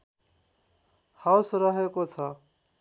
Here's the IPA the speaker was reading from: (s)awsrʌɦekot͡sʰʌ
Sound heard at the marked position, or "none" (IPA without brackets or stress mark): h